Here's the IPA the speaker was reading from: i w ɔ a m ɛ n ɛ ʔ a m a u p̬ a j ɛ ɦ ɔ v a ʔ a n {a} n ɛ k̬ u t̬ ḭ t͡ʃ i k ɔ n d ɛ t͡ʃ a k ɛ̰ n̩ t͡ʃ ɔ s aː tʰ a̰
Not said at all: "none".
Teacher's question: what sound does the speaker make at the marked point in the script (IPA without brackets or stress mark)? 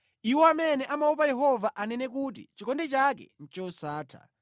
ɛ